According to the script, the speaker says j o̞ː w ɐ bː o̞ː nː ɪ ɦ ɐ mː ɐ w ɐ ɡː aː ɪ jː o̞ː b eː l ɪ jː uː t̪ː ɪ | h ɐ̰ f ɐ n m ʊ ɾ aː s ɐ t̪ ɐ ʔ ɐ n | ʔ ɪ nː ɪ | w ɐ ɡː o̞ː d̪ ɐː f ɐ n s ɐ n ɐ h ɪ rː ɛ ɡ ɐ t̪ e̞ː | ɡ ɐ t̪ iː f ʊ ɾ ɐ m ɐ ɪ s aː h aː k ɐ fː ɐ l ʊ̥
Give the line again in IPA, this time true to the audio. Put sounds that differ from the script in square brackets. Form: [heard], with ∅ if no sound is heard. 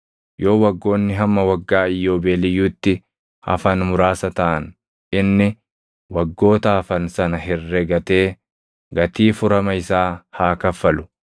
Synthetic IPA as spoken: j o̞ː w ɐ [ɡː] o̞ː nː ɪ ɦ ɐ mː ɐ w ɐ ɡː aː ɪ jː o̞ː b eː l ɪ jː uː t̪ː ɪ | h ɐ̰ f ɐ n m ʊ ɾ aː s ɐ t̪ ɐ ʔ ɐ n | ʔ ɪ nː ɪ | w ɐ ɡː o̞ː [t̪] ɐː f ɐ n s ɐ n ɐ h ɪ rː ɛ ɡ ɐ t̪ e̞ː | ɡ ɐ t̪ iː f ʊ ɾ ɐ m ɐ ɪ s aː h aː k ɐ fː ɐ l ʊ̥